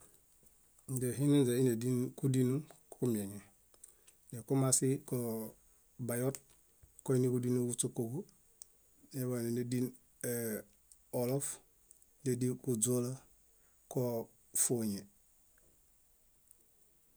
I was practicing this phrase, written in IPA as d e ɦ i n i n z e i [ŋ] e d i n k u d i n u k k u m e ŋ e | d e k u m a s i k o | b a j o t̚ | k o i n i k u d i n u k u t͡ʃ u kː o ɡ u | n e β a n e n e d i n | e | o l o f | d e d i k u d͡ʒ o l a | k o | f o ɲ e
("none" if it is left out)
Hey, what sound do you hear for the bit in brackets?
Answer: n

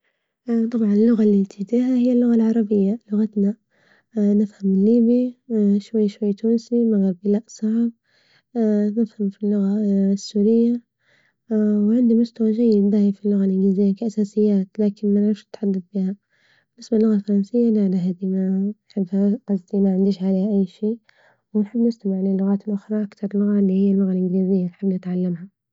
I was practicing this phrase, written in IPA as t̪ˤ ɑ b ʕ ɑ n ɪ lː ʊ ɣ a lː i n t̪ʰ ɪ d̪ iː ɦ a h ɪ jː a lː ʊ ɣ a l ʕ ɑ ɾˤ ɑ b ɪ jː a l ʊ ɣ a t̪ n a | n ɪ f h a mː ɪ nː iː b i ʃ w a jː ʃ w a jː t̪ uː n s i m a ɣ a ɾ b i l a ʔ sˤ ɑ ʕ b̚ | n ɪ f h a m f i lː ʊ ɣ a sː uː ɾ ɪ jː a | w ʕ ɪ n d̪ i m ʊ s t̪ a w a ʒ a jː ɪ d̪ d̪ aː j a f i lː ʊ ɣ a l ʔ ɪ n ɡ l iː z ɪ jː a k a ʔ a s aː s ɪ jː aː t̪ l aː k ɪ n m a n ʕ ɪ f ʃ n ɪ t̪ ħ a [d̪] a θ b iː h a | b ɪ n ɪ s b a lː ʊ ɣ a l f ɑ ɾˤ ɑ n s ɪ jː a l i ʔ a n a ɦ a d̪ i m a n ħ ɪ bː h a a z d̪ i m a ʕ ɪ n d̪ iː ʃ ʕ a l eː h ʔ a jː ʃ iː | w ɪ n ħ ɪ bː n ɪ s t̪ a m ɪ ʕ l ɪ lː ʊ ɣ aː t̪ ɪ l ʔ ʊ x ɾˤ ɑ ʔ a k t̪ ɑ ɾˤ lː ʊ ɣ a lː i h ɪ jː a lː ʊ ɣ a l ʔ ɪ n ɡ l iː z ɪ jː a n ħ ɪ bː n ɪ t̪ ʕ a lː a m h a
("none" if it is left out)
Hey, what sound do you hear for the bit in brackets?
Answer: d̪ː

